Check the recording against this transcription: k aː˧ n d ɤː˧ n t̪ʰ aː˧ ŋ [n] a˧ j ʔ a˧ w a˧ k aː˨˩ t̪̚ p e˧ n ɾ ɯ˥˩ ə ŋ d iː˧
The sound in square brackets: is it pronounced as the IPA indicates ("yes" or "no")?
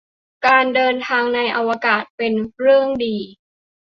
yes